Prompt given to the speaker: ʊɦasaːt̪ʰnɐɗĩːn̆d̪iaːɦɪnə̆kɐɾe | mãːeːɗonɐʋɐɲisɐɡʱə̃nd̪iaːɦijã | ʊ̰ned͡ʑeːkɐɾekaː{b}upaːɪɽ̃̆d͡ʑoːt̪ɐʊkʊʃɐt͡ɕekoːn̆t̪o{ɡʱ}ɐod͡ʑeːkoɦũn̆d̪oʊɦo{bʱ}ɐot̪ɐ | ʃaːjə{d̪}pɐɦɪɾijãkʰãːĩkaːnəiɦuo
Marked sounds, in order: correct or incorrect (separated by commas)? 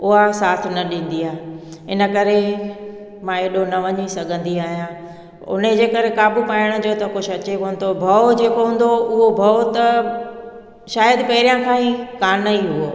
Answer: correct, incorrect, correct, correct